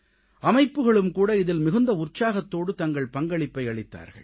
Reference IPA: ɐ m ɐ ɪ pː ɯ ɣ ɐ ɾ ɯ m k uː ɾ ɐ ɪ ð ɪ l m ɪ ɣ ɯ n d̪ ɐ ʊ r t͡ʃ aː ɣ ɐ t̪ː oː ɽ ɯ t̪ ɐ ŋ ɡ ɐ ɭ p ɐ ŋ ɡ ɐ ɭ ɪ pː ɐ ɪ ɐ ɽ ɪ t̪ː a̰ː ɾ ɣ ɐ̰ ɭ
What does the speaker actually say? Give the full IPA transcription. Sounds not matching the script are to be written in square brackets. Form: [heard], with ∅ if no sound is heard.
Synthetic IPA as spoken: ɐ m ɐ ɪ pː ɯ ɣ ɐ [ɭ] ɯ m k uː [ɽ] ɐ ɪ ð ɪ l m ɪ ɣ ɯ n d̪ ɐ ʊ r t͡ʃ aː ɣ ɐ t̪ː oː ɽ ɯ t̪ ɐ ŋ ɡ ɐ ɭ p ɐ ŋ ɡ ɐ ɭ ɪ pː ɐ ɪ ɐ [ɭ] ɪ t̪ː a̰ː ɾ ɣ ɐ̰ ɭ

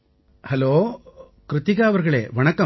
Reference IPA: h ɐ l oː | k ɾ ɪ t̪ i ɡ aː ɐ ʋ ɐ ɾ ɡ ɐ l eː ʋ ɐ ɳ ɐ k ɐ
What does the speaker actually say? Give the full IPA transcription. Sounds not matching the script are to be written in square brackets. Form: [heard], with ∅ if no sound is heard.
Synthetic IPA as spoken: h ɐ l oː | k ɾ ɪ t̪ i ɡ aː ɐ ʋ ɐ ɾ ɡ ɐ [ɭ] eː ʋ ɐ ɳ ɐ k ɐ

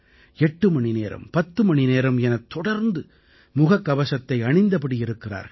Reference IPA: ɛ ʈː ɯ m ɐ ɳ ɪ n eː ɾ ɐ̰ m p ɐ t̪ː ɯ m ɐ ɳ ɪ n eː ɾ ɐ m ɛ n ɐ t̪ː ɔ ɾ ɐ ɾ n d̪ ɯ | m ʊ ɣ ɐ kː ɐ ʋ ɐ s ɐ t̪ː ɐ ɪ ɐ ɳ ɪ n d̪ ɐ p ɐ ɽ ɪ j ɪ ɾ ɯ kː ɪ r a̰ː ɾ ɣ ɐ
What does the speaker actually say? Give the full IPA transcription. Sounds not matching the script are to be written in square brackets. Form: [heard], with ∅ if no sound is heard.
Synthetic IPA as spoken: ɛ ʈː ɯ m ɐ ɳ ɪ n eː ɾ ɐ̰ m p ɐ t̪ː ɯ m ɐ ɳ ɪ n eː ɾ ɐ m ɛ n ɐ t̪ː ɔ [ɽ] ɐ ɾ n d̪ ɯ | m ʊ ɣ ɐ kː ɐ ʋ ɐ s ɐ t̪ː ɐ ɪ ɐ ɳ ɪ n d̪ ɐ p ɐ ɽ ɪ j ɪ ɾ ɯ kː ɪ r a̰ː ɾ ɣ ɐ

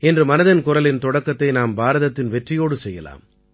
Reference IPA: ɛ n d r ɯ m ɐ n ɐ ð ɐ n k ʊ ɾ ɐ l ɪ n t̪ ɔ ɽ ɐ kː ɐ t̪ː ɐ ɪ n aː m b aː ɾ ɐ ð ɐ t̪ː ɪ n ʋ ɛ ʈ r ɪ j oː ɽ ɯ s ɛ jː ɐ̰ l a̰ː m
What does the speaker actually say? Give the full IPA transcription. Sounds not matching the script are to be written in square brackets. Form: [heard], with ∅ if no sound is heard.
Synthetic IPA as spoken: ɛ n d r ɯ m ɐ n ɐ ð ɐ n k ʊ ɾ ɐ l ɪ n t̪ ɔ ɽ ɐ kː ɐ t̪ː ɐ ɪ n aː m b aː ɾ ɐ ð ɐ t̪ː ɪ n ʋ ɛ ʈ r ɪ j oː ɽ ɯ s ɛ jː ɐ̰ l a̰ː m

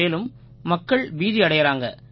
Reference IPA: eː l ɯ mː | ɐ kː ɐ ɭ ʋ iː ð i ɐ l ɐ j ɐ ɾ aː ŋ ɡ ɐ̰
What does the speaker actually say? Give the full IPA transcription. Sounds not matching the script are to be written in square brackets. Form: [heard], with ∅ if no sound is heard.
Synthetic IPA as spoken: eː l ɯ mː | ɐ kː ɐ ɭ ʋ iː ð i ɐ [ɽ] ɐ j ɐ ɾ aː ŋ ɡ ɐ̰

